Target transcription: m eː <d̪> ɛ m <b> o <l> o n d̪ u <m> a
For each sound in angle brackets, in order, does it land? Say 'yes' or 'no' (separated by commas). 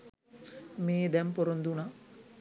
yes, no, no, no